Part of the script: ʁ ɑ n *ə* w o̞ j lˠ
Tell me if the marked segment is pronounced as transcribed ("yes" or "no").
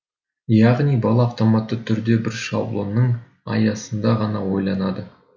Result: no